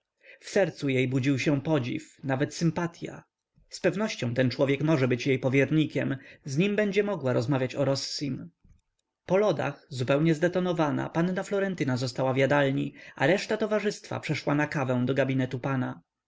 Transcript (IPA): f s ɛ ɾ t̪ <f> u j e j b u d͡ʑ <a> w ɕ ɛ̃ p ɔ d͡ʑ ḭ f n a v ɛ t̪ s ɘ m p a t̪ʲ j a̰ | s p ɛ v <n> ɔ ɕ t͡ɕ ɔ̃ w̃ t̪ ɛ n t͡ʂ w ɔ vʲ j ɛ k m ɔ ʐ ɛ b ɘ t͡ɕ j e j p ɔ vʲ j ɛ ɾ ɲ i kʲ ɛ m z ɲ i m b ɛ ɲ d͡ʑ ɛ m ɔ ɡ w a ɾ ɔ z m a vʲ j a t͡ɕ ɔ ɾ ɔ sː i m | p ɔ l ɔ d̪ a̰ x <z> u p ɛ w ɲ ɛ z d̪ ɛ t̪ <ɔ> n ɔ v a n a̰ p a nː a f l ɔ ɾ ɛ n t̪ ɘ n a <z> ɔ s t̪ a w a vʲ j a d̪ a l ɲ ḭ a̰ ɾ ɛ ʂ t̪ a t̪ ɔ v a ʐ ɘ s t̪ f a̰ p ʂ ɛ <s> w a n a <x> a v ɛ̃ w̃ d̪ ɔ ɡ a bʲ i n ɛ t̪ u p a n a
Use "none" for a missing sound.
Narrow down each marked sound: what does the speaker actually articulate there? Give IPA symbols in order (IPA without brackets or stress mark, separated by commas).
s, i, n, z, ɔ, z, ʂ, k